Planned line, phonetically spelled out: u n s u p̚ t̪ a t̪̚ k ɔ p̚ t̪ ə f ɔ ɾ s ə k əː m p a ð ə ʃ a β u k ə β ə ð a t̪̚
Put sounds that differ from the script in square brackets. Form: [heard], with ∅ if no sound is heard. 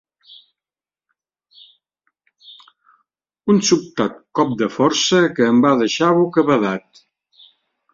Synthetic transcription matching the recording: u n s u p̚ t̪ a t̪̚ k ɔ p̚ [d̪] ə f ɔ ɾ s ə k əː m [b] a ð ə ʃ a β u k ə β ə ð a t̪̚